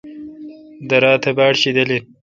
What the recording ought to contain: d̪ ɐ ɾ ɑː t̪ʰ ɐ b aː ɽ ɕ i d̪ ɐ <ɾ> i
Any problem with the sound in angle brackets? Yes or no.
yes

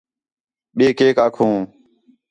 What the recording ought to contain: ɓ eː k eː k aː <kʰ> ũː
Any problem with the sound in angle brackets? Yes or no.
no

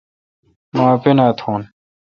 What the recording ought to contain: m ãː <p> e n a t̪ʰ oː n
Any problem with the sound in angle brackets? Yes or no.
no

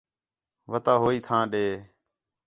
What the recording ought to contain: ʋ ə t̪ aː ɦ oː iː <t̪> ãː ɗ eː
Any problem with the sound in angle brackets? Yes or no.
yes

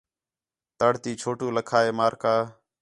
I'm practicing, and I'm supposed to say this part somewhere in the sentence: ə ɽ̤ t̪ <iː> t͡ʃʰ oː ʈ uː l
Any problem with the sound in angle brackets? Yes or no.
no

